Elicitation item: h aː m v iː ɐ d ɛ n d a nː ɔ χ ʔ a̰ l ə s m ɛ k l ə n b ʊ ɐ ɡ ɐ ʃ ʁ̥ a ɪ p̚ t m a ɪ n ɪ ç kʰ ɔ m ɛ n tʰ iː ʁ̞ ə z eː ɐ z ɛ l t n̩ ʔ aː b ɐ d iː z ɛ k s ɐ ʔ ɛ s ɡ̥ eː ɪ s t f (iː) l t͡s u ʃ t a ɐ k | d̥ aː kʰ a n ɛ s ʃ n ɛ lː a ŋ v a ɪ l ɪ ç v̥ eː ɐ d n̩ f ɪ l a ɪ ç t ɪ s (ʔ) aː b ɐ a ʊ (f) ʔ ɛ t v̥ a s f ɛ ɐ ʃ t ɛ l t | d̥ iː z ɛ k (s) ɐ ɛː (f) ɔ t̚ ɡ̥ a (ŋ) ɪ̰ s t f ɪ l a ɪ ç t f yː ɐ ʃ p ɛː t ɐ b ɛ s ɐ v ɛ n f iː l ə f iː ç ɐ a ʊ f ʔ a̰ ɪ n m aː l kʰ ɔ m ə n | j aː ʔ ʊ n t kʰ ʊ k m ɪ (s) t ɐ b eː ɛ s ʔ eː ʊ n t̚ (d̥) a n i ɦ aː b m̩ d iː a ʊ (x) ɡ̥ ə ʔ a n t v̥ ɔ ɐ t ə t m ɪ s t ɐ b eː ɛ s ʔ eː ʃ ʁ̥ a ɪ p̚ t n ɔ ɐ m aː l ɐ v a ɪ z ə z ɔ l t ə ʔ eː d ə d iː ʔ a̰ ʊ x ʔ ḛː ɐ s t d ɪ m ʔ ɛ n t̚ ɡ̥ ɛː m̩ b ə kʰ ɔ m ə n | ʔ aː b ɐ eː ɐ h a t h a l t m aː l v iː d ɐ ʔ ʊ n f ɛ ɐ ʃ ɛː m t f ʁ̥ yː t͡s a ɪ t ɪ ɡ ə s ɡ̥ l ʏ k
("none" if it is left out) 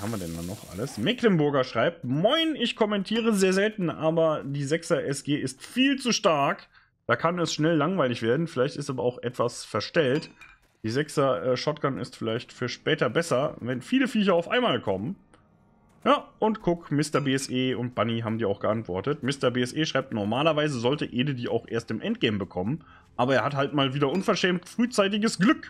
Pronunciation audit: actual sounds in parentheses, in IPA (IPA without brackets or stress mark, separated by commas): iː, t, x, s, ʃ, n, s, b̥, x